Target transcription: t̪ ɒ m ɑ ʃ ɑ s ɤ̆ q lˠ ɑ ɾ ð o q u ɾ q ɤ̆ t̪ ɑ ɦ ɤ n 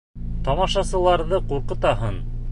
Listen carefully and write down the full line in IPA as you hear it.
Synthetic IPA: t̪ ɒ m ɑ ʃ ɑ s ɤ̆ lˠ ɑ ɾ ð ɤ q u ɾ q ɤ̆ t̪ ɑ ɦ ɤ n